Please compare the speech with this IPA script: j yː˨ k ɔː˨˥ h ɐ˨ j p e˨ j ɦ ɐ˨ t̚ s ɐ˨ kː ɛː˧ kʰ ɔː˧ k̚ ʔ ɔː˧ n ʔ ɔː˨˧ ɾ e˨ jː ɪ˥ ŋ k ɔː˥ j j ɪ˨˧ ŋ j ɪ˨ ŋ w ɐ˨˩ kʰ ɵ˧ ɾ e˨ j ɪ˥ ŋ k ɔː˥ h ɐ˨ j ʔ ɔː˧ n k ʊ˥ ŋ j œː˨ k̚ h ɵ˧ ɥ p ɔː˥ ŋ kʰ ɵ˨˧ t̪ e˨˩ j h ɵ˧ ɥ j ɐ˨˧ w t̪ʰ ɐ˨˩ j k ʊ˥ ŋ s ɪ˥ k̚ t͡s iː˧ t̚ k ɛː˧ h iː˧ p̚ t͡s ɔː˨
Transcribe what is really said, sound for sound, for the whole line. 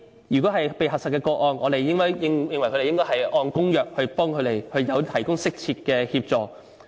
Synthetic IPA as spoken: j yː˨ k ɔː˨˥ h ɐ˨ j p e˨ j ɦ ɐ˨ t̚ s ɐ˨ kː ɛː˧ k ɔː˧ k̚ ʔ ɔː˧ n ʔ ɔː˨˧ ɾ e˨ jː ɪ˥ ŋ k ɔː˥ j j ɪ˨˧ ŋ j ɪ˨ ŋ w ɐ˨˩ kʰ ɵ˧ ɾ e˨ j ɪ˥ ŋ k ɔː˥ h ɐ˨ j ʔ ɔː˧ n k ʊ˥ ŋ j œː˨ k̚ h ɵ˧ ɥ p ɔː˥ ŋ kʰ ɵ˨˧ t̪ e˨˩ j h ɵ˧ ɥ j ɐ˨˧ w t̪ʰ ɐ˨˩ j k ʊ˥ ŋ s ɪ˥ k̚ t͡sʰ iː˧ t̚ k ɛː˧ h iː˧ p̚ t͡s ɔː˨